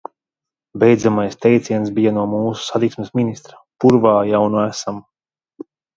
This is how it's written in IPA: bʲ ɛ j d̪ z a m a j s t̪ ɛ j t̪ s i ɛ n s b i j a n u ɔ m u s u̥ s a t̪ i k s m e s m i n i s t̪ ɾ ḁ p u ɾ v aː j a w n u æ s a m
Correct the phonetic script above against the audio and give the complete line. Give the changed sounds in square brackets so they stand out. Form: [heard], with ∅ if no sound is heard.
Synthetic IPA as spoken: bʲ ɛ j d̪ z a m a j s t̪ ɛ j t̪ s i ɛ n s b i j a n u ɔ m [uː] s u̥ s a t̪ i k s m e s m i n i s t̪ ɾ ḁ p u ɾ v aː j a w n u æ s a m

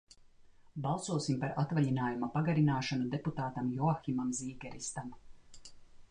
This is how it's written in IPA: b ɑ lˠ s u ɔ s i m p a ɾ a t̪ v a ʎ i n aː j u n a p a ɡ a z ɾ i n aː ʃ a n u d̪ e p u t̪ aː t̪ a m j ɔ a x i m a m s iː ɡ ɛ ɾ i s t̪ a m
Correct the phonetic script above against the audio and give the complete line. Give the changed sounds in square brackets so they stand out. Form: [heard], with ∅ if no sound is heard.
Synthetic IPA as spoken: b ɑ lˠ s u ɔ s i m p a ɾ a t̪ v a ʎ i n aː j u [m] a p a ɡ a [∅] ɾ i n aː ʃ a n u d̪ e p u t̪ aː t̪ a m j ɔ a x i m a m [z] iː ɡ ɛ ɾ i s t̪ a m

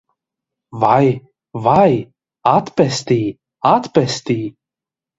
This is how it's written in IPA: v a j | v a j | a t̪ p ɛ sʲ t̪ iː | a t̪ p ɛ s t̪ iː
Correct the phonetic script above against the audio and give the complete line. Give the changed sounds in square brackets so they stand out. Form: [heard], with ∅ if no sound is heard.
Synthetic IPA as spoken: v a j | v a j | a t̪ p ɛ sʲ t̪ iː | a t̪ p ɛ s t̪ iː

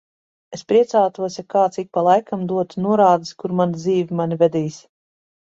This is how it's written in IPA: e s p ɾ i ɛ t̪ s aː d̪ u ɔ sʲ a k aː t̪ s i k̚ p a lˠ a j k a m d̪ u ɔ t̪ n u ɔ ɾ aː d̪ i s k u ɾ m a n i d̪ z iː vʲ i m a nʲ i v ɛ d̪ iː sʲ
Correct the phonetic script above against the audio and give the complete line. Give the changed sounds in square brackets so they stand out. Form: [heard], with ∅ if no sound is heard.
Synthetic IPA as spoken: e s p ɾ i ɛ t̪ s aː [t̪] u ɔ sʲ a k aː t̪ s i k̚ p a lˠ a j k a m d̪ u ɔ t̪ n u ɔ ɾ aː d̪ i s k u ɾ m a n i d̪ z iː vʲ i m a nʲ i v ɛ d̪ iː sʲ

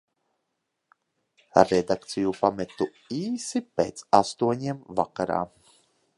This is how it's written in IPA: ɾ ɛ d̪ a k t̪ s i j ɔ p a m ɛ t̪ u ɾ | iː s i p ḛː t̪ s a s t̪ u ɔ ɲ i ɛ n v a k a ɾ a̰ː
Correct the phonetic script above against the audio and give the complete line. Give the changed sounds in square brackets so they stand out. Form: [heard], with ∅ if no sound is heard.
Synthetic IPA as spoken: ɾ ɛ d̪ a k t̪ s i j [u] p a m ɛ t̪ u [∅] | iː s i p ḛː t̪ s a s t̪ u ɔ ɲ i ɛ [m] v a k a ɾ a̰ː

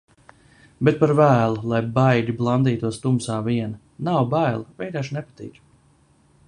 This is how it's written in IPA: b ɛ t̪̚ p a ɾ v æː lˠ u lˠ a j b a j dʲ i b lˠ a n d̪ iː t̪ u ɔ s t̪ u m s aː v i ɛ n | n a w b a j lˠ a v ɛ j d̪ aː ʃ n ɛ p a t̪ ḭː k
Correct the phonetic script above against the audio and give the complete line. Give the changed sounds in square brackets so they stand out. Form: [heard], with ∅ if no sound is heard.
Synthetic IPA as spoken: b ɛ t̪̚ p a ɾ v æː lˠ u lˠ a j b a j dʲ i b lˠ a n d̪ iː t̪ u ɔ s t̪ u m s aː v i ɛ n | n a w b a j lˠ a v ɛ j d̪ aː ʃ n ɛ p a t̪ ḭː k

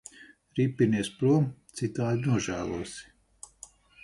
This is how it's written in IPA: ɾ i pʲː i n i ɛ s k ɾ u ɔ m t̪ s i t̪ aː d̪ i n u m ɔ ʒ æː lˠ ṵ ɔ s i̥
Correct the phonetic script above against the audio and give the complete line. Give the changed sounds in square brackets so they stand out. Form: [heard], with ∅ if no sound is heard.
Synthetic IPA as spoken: ɾ i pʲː i n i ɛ s [p] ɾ u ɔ m t̪ s i t̪ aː d̪ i n u [∅] ɔ ʒ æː lˠ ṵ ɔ s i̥

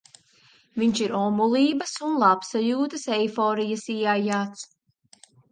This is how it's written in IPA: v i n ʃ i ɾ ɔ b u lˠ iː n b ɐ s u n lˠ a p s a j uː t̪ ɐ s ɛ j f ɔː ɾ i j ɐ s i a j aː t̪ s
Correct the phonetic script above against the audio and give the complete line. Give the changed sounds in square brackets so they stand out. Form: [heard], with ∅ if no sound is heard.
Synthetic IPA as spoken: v i [ɲ] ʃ i ɾ ɔ [m] u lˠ iː [∅] b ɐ s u n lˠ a p s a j uː t̪ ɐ s ɛ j f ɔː ɾ i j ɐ s i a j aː t̪ s

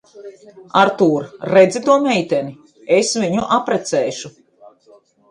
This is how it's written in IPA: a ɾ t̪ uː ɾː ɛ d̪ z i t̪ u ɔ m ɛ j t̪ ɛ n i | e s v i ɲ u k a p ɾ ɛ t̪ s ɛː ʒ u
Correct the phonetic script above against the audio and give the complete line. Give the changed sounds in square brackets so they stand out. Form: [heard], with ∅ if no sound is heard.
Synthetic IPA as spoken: a ɾ t̪ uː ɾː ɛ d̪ z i t̪ u ɔ m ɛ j t̪ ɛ n i | e s v i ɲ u [ʔ] a p ɾ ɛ t̪ s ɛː [ʃ] u

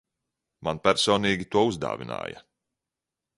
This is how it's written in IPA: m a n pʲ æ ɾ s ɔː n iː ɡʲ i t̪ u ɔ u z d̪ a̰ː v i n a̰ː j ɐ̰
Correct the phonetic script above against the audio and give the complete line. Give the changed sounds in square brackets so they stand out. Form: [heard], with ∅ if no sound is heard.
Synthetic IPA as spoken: m a n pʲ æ ɾ s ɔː n iː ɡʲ i t̪ u ɔ u z d̪ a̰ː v i n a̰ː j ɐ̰

